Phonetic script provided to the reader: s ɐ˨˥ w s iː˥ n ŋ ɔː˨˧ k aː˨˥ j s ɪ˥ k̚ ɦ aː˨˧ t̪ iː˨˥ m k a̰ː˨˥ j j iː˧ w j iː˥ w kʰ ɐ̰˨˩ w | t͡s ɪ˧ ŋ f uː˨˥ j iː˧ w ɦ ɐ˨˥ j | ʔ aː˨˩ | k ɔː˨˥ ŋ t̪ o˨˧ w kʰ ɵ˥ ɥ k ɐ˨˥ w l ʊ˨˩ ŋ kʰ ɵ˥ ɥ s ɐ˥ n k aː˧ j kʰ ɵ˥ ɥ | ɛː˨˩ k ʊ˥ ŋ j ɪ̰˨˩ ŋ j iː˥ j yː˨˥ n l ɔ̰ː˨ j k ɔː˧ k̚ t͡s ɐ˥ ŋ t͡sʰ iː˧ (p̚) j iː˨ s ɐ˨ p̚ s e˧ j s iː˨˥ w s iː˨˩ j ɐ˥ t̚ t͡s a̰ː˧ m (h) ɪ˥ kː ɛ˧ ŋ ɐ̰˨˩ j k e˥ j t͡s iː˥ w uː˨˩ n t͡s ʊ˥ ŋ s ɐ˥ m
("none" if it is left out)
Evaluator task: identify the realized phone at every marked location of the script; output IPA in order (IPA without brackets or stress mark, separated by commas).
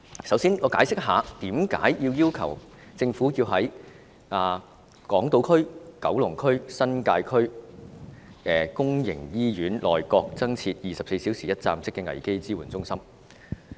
t̚, s